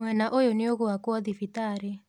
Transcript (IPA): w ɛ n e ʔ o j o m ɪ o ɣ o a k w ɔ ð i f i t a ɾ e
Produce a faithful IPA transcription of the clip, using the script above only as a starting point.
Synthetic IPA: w ɛ n a ʔ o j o n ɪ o ɣ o a k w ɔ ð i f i t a ɾ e